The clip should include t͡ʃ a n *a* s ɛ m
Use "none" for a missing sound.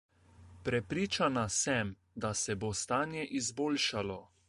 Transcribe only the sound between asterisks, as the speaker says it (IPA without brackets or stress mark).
a